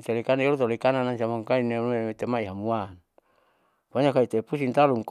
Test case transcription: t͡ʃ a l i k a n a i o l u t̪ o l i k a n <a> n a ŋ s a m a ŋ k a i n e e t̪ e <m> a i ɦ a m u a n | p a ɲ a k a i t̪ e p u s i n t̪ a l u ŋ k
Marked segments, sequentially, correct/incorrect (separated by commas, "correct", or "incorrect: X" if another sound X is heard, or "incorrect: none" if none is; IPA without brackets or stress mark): correct, correct